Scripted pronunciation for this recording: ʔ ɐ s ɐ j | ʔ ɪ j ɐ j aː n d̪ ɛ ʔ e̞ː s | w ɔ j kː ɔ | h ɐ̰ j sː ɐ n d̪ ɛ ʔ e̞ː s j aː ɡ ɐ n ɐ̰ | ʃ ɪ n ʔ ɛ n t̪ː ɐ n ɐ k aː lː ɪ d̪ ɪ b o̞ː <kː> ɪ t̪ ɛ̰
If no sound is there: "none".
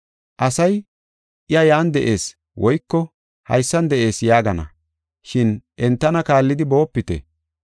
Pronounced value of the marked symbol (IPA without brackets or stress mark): pː